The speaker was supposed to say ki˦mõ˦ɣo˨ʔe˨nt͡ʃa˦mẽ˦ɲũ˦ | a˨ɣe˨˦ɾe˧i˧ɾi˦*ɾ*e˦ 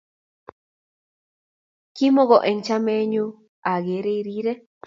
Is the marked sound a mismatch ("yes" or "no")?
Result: no